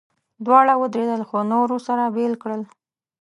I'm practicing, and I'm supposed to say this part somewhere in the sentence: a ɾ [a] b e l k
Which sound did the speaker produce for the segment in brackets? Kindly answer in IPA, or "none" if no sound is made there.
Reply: a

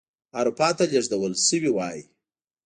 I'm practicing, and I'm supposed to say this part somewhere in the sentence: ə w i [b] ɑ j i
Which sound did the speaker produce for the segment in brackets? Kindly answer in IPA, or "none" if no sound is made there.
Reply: w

